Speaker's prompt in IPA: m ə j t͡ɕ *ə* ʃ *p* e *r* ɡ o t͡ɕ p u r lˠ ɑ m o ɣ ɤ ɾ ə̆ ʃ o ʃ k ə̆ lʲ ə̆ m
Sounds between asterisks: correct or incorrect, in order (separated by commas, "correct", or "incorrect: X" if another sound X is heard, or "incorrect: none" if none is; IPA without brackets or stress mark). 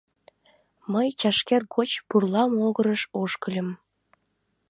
incorrect: ɑ, incorrect: k, correct